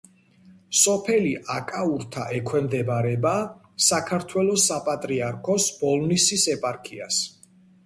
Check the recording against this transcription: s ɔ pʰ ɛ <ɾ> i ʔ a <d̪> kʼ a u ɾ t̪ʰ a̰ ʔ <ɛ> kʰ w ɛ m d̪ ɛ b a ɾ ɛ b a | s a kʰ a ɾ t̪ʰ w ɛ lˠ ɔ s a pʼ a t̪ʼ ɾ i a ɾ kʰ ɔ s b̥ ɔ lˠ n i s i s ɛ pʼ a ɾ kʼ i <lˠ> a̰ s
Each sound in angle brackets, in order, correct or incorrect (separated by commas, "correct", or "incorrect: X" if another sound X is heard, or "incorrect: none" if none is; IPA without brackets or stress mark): incorrect: l, incorrect: none, correct, incorrect: none